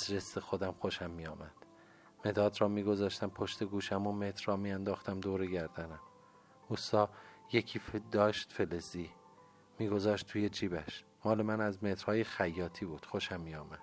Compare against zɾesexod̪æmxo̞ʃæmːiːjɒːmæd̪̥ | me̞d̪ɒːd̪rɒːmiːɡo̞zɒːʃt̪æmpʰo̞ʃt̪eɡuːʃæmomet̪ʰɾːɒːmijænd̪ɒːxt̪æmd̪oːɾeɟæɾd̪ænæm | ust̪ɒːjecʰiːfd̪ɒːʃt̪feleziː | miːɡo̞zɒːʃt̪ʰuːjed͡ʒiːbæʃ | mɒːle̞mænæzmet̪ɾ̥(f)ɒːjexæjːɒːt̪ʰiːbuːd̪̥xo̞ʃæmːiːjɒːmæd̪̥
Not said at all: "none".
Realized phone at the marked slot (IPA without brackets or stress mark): h